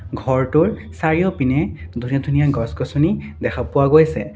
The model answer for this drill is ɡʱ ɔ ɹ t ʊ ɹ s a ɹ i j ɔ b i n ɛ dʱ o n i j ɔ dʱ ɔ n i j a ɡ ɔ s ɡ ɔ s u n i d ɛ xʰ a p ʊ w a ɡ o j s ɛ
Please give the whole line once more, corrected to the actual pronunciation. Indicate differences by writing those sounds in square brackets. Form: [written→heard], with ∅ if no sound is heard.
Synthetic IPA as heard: ɡʱ ɔ ɹ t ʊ ɹ s a ɹ i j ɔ [b→p] i n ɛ dʱ [o→u] n i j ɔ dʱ [ɔ→u] n i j a ɡ ɔ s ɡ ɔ s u n i d ɛ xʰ a p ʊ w a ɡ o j s ɛ